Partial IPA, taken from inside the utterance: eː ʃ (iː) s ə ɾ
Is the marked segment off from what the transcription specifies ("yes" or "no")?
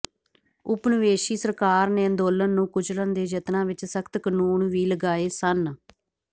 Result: no